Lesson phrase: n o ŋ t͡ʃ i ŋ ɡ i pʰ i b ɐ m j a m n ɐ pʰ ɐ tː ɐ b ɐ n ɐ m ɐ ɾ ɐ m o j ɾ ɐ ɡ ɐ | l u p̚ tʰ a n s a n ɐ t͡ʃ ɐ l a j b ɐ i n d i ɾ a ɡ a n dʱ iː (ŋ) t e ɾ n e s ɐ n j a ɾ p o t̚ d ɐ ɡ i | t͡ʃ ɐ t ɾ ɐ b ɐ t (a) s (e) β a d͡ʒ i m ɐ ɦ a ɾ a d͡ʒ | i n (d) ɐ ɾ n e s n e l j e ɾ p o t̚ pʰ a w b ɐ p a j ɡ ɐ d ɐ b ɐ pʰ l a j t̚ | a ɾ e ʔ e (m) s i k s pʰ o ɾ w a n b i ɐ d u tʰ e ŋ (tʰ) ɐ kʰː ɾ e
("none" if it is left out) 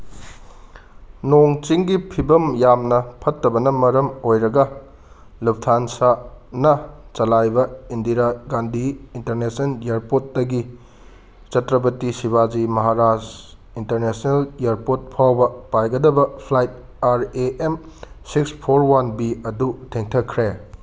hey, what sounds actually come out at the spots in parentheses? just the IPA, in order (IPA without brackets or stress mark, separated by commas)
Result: n, i, i, t, m, tʰ